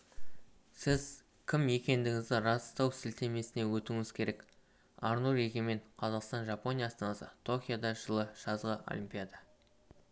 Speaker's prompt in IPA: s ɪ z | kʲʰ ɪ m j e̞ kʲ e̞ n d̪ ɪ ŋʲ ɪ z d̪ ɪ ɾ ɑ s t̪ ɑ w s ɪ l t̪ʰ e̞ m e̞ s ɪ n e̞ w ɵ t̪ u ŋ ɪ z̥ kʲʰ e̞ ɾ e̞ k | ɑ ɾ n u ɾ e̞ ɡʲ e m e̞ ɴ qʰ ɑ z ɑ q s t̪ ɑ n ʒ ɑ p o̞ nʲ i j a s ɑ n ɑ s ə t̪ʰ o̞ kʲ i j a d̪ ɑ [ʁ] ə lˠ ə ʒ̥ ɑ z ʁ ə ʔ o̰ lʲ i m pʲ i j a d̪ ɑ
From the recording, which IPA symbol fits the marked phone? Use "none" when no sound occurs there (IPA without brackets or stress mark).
ʒ